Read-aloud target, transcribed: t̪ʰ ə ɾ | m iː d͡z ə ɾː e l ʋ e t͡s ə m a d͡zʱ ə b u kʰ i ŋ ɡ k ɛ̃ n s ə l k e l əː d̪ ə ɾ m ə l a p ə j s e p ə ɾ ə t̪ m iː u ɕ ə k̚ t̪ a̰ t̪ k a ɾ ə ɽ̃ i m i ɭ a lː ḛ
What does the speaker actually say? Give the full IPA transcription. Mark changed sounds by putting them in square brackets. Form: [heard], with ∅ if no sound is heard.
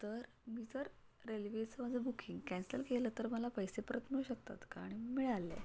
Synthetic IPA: [t̪] ə ɾ | m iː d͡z ə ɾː e l ʋ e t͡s ə m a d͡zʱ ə b u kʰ i ŋ ɡ k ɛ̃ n s ə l k e l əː [t̪] ə ɾ m ə l a p ə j s e p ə ɾ ə t̪ m [i] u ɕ ə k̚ t̪ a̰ t̪ k a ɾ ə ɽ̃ i m i ɭ a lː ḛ